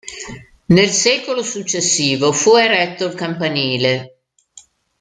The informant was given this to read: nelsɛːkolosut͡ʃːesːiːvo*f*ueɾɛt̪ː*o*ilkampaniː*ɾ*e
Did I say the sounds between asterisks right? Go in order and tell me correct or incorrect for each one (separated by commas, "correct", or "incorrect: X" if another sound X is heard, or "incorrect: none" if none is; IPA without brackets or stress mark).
correct, correct, incorrect: l